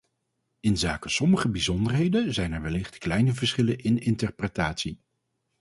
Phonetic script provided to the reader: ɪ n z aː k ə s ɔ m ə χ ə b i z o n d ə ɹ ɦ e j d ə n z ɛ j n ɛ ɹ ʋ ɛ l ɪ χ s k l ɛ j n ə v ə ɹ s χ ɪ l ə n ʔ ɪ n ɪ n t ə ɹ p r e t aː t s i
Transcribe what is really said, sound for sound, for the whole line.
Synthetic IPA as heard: ɪ n z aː k ə s ɔ m ə χ ə b i z ɔ n d ə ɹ ɦ e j d ə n z ɛ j n ɛ ɹ ʋ ɛ l ɪ χ t k l ɛ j n ə v ə ɹ s χ ɪ l ə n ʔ ɪ n ɪ n t ə ɹ p r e t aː t s i